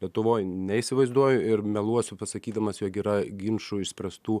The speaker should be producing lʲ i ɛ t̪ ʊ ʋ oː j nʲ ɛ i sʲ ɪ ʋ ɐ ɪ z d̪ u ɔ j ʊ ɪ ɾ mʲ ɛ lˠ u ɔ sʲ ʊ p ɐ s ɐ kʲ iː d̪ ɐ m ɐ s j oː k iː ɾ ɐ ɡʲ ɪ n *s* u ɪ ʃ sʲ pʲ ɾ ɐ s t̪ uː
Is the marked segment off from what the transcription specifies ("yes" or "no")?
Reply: yes